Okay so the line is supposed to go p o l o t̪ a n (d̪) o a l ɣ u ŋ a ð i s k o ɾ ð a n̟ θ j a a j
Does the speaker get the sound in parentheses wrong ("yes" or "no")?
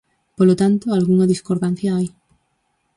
yes